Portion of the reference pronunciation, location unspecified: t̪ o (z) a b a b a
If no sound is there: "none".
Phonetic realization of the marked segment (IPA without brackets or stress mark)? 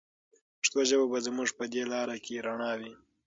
ʒ